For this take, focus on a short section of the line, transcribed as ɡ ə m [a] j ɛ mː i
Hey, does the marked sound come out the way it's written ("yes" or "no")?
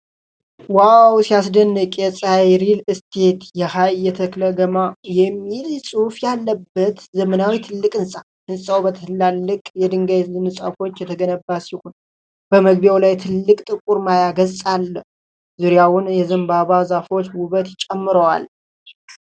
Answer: yes